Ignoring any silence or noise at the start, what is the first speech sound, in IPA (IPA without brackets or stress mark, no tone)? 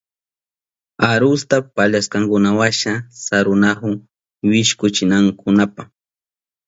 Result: a